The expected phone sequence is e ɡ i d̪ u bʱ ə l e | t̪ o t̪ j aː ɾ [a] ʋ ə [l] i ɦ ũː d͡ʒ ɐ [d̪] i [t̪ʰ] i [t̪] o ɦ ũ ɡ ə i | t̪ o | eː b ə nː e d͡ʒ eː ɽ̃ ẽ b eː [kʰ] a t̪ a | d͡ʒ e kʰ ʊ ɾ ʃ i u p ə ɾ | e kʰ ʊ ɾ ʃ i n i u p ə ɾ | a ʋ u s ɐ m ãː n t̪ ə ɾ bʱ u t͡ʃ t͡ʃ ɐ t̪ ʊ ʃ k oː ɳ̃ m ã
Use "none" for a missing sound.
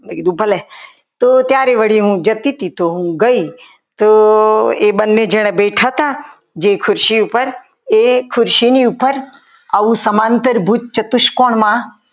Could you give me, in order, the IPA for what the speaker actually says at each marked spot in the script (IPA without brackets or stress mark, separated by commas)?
e, ɽ, t̪, t̪, t̪, ʈʰ